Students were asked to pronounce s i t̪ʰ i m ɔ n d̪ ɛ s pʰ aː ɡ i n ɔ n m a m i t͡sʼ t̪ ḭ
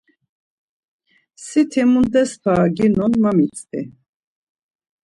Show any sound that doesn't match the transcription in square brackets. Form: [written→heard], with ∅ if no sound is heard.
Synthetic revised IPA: s i t̪ʰ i m [ɔ→u] n d̪ ɛ s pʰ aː ɡ i n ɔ n m a m i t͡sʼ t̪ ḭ